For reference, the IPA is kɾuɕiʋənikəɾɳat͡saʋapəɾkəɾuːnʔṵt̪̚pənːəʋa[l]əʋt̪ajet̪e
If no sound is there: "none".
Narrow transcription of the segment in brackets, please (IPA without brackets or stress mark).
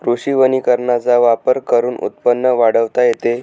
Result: ɽ